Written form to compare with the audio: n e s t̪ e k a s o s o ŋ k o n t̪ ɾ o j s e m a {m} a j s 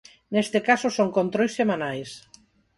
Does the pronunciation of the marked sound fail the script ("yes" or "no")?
yes